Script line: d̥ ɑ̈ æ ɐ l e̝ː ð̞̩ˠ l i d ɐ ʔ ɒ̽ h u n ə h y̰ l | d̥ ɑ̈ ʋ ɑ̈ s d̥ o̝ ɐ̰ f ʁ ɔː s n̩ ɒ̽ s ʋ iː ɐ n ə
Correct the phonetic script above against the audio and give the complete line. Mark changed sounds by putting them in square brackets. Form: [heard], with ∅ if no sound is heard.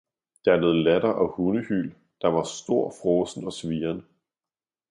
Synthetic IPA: d̥ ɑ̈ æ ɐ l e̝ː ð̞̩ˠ l [æ] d ɐ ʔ ɒ̽ h u n ə h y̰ l | d̥ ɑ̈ ʋ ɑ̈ s d̥ o̝ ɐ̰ f ʁ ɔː s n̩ ɒ̽ s ʋ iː ɐ n ə